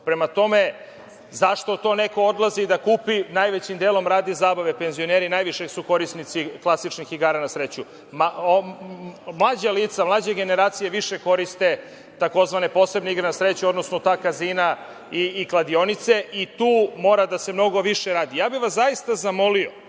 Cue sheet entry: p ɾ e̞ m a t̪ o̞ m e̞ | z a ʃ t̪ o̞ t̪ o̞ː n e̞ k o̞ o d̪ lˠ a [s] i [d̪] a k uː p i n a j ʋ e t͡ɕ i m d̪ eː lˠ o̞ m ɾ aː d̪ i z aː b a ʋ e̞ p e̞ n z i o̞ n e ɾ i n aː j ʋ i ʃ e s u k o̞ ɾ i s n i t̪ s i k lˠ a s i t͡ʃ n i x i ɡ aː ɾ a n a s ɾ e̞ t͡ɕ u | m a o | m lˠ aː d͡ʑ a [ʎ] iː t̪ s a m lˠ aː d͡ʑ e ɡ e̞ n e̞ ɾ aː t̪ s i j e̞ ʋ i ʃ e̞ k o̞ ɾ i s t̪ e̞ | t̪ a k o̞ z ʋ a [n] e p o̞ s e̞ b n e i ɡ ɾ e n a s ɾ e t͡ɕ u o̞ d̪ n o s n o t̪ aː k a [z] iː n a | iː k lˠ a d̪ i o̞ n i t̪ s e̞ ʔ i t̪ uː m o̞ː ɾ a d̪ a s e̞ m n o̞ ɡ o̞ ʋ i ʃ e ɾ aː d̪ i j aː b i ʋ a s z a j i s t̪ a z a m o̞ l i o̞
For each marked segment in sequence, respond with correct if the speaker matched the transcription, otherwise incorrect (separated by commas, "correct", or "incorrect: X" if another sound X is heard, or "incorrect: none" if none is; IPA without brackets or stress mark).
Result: incorrect: z, correct, incorrect: l, correct, correct